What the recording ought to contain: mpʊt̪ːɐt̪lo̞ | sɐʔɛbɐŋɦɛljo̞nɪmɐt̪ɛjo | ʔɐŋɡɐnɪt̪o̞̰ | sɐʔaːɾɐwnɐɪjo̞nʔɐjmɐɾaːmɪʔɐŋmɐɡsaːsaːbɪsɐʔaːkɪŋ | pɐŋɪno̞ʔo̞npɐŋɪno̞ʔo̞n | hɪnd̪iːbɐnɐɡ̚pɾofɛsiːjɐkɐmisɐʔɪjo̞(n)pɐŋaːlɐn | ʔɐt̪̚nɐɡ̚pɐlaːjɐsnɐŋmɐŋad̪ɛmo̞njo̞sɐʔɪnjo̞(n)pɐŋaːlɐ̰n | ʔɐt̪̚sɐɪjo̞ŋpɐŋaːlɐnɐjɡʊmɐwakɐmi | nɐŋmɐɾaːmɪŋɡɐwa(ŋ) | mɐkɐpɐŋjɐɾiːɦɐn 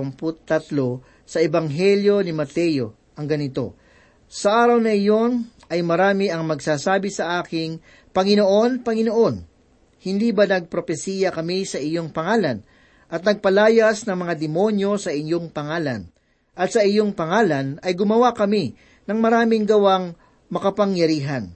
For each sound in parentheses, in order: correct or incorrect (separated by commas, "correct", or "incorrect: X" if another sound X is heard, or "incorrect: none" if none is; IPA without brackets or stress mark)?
incorrect: ŋ, incorrect: ŋ, correct